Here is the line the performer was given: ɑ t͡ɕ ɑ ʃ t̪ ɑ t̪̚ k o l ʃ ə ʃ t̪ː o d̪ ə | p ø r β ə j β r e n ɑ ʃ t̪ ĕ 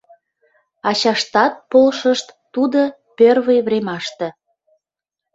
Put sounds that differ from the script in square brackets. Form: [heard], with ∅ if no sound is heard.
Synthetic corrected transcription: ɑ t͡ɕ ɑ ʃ t̪ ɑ t̪̚ [p] o l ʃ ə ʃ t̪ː [u] d̪ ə | p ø r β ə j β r e [m] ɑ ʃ t̪ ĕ